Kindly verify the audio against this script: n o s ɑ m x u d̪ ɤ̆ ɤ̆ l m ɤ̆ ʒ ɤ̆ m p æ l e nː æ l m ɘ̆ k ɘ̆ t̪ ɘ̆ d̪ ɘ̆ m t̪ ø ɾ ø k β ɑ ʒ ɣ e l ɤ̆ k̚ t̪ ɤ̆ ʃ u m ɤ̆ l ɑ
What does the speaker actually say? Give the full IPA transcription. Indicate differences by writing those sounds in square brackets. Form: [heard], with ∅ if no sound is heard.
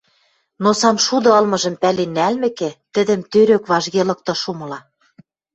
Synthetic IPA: n o s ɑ m [ʃ] u d̪ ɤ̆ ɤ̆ l m ɤ̆ ʒ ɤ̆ m p æ l e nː æ l m ɘ̆ k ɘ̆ t̪ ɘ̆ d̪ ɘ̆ m t̪ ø ɾ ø k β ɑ ʒ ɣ e l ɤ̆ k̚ t̪ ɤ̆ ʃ u m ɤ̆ l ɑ